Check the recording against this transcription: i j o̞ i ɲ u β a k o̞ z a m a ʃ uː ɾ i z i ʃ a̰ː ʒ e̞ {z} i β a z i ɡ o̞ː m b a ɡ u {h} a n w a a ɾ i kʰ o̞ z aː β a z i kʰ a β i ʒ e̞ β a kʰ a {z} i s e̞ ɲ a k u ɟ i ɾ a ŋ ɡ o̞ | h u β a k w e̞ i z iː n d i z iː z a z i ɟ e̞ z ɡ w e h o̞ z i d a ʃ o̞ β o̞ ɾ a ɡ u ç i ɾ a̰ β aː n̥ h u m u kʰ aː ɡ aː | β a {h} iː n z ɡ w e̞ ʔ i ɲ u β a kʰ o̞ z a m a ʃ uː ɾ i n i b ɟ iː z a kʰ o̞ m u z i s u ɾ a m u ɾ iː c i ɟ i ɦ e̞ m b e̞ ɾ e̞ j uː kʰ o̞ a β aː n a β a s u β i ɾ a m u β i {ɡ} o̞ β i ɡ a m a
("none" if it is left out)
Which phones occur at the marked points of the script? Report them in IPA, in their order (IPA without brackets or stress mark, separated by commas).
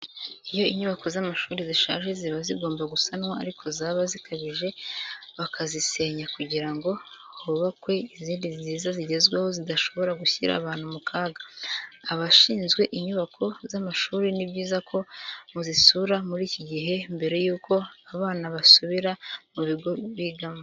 z, s, z, ʃ, ɡ